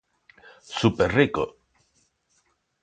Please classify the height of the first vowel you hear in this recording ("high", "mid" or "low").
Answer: high